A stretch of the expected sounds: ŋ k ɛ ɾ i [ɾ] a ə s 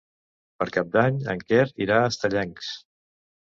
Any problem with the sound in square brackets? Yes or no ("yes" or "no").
no